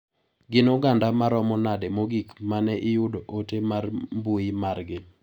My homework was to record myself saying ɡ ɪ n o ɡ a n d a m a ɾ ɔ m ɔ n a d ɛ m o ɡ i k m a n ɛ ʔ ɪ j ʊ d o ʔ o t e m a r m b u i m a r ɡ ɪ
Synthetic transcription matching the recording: ɡ ɪ n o ɡ a n d a m a ɾ ɔ m ɔ n a d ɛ m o ɡ i k m a n ɛ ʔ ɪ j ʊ d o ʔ o t e m a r m b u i m a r ɡ ɪ